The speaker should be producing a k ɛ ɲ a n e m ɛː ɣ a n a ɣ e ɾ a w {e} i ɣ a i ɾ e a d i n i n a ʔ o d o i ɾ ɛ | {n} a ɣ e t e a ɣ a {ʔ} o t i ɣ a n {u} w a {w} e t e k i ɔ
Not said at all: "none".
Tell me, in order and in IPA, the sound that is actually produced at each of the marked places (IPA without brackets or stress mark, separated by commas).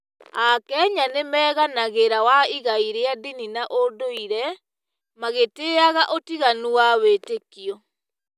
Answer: a, m, ʔ, u, w